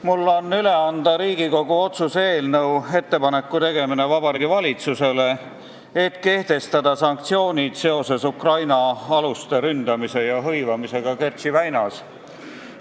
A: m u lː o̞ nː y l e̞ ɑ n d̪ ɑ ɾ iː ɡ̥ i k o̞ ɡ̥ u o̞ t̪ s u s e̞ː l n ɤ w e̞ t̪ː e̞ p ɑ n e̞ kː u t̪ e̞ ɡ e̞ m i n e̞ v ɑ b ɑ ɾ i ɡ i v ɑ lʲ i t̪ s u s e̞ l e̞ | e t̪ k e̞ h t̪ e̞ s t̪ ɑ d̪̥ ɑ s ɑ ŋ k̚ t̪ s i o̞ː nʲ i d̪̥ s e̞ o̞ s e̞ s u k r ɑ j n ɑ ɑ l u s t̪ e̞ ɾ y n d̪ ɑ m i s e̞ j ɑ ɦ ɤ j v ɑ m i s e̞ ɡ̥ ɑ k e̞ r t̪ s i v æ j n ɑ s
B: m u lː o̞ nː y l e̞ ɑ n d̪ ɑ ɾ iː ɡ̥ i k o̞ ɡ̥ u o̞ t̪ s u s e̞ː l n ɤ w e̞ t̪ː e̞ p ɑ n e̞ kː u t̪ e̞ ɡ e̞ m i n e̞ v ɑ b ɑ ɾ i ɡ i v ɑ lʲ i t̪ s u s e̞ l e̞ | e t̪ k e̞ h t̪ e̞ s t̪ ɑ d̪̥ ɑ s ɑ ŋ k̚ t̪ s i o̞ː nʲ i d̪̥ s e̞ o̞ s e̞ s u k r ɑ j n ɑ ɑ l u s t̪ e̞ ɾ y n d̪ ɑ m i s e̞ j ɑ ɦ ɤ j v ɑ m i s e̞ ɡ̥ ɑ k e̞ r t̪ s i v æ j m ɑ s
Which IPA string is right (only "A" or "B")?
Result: A